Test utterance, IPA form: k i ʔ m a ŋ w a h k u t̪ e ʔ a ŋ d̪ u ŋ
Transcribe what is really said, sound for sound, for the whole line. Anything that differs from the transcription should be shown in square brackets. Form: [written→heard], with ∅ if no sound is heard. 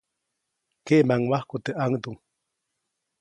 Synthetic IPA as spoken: k [i→e] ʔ m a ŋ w a h k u t̪ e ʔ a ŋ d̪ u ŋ